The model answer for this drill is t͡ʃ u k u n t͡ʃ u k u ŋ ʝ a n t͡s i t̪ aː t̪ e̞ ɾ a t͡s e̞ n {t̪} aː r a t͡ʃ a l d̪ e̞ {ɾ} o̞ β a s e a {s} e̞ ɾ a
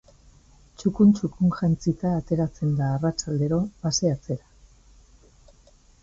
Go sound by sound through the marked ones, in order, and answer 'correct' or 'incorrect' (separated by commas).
incorrect, correct, incorrect